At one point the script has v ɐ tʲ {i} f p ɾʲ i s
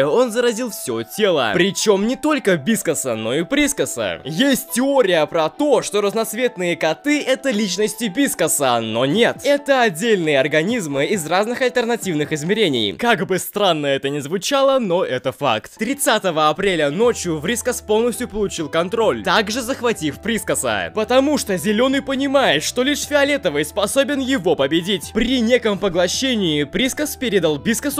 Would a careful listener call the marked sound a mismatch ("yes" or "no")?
no